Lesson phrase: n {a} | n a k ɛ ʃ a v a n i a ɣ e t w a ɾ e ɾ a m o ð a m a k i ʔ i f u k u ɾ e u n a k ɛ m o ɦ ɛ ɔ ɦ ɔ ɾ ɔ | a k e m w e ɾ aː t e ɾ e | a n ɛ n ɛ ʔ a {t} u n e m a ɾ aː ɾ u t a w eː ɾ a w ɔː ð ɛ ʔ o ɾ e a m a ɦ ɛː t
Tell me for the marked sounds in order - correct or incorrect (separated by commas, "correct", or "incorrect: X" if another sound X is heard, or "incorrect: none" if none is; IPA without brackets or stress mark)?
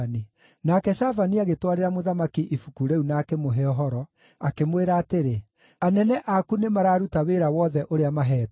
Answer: incorrect: i, incorrect: k